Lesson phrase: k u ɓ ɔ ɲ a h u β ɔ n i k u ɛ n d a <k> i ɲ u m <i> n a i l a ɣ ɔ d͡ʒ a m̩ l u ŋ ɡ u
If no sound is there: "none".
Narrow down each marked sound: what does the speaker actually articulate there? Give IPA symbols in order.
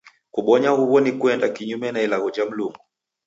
k, ɛ

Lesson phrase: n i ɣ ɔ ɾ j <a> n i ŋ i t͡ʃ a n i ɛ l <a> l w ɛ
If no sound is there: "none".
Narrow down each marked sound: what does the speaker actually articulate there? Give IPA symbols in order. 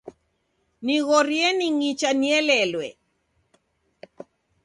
ɛ, ɛ

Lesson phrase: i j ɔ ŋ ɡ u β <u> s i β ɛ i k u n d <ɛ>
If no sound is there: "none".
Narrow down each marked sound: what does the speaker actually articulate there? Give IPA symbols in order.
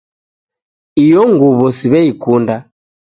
ɔ, a

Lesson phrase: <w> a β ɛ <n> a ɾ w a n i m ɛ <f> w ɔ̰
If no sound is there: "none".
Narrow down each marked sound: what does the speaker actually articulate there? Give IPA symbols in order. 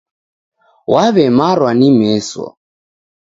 w, m, s

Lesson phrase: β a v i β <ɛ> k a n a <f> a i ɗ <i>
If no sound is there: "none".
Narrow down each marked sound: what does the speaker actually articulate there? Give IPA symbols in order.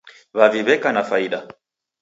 ɛ, f, a

